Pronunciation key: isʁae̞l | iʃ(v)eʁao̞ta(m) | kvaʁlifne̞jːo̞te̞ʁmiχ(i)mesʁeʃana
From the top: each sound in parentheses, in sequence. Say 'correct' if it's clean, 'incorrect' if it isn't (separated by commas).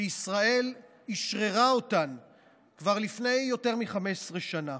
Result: incorrect, incorrect, incorrect